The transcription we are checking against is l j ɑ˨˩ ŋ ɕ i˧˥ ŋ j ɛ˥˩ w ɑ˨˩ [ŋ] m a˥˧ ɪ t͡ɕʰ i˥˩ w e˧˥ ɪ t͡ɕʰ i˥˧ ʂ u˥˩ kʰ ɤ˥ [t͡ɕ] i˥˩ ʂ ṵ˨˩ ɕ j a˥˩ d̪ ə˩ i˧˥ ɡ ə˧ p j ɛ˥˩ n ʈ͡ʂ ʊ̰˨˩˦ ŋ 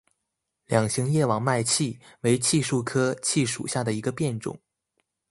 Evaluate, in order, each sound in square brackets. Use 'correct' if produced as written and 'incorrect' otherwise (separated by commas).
correct, incorrect